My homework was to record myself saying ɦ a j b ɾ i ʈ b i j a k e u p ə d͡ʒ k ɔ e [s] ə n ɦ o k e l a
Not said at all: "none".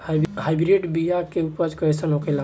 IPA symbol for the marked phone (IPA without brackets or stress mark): s